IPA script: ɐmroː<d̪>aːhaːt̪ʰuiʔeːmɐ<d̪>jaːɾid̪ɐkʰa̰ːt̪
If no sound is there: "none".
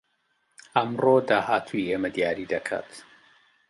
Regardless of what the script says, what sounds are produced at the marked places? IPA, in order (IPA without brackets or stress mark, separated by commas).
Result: d̪, d̪